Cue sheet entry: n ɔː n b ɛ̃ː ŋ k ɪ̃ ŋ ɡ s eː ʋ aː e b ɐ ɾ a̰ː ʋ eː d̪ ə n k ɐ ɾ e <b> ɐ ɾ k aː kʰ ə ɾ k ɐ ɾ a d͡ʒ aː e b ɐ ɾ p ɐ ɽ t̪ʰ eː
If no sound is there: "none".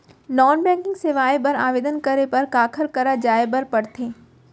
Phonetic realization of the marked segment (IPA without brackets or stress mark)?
p